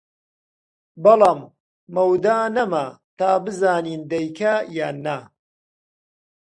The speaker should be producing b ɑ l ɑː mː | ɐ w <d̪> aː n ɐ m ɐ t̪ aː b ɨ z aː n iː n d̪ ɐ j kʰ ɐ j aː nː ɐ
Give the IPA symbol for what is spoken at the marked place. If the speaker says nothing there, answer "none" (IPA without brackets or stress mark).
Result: d̪